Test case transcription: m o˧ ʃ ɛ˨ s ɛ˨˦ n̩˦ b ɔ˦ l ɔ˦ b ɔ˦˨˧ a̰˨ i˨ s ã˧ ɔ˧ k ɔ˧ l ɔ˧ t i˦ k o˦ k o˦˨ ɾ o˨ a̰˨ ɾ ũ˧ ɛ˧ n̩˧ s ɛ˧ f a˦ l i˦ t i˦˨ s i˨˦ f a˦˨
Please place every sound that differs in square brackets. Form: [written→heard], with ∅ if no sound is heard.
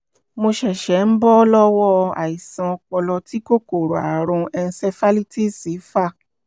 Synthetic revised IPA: m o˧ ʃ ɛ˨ [s→ʃ] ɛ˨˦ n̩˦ b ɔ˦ l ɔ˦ [b→w] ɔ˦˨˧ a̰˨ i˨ s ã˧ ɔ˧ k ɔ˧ l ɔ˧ t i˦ k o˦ k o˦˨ ɾ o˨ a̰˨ ɾ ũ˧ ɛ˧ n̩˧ s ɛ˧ f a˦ l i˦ t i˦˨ s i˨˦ f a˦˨